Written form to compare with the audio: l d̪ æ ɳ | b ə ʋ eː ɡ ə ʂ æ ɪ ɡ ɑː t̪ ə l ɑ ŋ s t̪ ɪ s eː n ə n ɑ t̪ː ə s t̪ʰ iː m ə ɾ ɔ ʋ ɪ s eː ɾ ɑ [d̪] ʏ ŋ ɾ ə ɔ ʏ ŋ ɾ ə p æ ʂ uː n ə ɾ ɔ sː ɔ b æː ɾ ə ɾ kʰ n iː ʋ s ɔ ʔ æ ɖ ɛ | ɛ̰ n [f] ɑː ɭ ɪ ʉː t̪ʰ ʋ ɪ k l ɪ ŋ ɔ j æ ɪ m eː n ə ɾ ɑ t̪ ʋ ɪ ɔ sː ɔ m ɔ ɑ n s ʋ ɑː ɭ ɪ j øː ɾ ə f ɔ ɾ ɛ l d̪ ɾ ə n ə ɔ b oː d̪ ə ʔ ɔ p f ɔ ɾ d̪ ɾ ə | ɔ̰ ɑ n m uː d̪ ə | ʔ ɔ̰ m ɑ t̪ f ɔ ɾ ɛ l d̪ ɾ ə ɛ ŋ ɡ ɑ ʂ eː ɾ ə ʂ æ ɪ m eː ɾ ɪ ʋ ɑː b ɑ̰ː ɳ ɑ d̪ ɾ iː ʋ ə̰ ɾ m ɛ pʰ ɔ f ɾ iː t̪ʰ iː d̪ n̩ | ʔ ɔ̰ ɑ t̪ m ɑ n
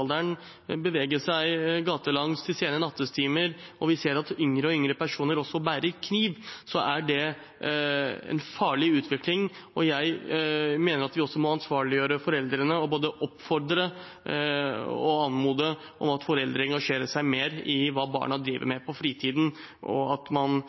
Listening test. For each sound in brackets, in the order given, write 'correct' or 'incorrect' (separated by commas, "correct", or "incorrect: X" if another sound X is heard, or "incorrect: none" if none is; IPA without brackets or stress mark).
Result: incorrect: t̪, correct